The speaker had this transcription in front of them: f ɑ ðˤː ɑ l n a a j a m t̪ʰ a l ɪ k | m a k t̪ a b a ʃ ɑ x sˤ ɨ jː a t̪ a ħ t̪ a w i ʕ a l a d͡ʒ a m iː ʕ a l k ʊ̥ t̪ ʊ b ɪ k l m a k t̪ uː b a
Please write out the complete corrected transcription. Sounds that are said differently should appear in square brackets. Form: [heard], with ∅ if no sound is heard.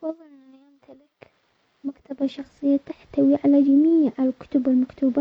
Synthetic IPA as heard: f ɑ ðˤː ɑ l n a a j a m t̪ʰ a l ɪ k | m a k t̪ a b a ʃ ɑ x sˤ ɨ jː a t̪ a ħ t̪ a w i ʕ a l a d͡ʒ a m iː ʕ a l k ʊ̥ t̪ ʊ b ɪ [∅] l m a k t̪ uː b a